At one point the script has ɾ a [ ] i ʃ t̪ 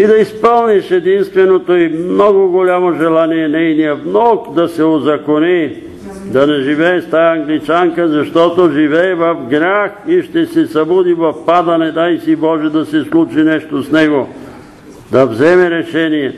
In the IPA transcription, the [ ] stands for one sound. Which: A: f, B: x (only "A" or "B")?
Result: B